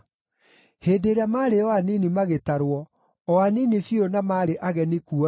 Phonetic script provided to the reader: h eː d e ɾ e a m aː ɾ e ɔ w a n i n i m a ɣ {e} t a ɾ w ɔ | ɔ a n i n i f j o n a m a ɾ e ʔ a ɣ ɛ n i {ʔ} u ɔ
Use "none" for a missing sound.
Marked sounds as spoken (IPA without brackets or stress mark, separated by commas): e, k